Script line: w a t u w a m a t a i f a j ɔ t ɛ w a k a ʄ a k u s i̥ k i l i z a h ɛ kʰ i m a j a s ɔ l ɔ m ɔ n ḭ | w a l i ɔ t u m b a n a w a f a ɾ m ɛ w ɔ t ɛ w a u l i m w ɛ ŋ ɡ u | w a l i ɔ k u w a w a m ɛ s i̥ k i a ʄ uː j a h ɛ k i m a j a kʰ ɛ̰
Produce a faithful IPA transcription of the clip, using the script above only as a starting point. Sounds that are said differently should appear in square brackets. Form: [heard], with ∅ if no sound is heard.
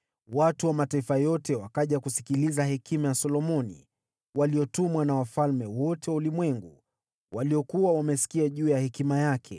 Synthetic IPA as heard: w a t u w a m a t a i f a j ɔ t ɛ w a k a ʄ a k u s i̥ k i l i z a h ɛ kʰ i m a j a s ɔ l ɔ m ɔ n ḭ | w a l i ɔ t u m [w] a n a w a f a [l] m ɛ w ɔ t ɛ w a u l i m w ɛ ŋ ɡ u | w a l i ɔ k u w a w a m ɛ s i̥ k i a ʄ uː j a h ɛ k i m a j a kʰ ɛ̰